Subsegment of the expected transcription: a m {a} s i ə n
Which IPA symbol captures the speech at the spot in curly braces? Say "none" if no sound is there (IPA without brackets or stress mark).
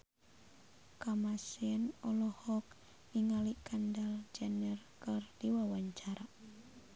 a